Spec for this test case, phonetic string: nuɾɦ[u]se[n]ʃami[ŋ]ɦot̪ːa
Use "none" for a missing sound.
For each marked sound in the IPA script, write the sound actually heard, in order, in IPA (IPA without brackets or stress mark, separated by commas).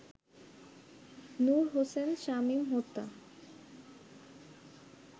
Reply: o, n, m